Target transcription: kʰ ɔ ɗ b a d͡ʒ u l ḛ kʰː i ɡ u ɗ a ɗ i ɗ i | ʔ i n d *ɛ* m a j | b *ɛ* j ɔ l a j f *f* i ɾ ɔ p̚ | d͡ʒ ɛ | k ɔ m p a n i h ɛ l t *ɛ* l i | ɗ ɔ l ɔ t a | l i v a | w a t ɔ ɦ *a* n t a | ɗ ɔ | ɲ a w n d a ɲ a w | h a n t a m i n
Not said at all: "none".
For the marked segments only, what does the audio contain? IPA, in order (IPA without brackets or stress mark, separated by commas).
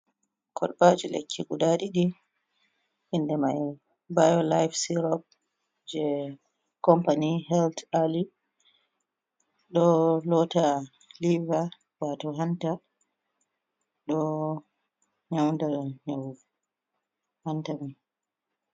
ɛ, a, s, a, a